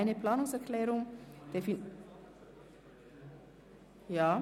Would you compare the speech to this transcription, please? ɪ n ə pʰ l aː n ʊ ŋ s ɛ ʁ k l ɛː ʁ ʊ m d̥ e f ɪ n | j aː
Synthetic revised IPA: ɪ n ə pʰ l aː n ʊ ŋ s ɛ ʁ k l ɛː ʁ ʊ ŋ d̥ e f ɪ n | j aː